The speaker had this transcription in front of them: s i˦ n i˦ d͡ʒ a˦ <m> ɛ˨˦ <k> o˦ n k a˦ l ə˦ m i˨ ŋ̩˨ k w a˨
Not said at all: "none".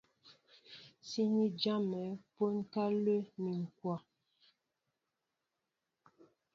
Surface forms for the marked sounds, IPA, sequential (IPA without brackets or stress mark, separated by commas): m, p